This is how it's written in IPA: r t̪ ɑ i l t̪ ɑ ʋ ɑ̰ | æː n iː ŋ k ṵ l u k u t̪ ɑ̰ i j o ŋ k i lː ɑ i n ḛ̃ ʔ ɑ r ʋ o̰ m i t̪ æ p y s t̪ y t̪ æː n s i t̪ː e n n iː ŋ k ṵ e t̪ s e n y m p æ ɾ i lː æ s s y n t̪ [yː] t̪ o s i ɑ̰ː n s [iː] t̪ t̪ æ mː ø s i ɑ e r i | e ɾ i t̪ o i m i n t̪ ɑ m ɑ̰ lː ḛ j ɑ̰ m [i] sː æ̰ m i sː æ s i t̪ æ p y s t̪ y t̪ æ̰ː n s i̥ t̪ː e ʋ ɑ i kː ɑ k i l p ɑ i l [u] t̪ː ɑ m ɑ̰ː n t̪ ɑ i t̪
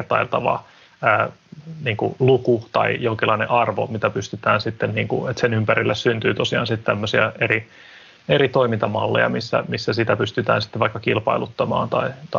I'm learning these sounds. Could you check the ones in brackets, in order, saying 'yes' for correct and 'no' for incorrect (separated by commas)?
yes, no, yes, yes